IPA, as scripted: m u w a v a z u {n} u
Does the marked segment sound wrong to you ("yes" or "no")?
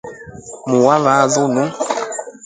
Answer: no